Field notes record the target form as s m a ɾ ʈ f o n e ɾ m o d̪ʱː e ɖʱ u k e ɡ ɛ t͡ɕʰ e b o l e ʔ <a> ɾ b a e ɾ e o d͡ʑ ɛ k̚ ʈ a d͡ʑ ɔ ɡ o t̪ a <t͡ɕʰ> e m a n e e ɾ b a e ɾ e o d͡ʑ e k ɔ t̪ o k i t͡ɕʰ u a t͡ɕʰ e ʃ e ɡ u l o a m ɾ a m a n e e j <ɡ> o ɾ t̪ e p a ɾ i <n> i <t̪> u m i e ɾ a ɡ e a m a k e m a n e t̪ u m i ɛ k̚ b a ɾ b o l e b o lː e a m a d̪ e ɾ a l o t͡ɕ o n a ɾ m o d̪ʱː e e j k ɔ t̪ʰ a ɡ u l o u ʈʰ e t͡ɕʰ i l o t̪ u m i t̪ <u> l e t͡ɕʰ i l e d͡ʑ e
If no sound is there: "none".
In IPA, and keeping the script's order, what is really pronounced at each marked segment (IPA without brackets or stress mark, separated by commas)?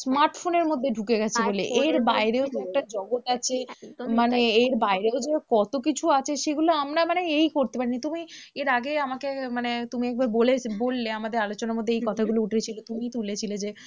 e, t͡ɕʰ, k, n, t̪, u